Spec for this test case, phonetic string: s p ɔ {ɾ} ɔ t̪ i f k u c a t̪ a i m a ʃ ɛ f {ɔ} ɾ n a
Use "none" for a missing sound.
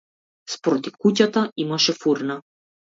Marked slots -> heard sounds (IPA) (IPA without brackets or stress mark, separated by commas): ɾ, u